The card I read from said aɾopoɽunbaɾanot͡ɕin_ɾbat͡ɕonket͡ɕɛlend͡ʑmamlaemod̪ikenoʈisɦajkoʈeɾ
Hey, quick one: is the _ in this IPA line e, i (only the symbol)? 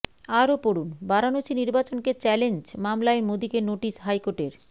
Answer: i